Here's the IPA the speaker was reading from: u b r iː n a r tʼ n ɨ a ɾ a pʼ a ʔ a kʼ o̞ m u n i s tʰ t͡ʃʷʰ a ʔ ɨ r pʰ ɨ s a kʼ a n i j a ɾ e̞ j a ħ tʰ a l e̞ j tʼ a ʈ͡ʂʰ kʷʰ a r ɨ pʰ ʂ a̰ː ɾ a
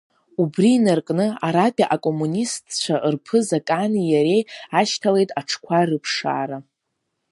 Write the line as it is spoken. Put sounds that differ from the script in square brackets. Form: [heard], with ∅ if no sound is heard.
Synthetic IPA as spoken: u b r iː n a r [kʼ] n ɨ a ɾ a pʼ a ʔ a kʼ o̞ m u n i s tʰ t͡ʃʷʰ a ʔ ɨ r pʰ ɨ [z] a kʼ a n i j a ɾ e̞ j a [ʃ] tʰ a l e̞ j tʼ a ʈ͡ʂʰ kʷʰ a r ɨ pʰ ʂ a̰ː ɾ a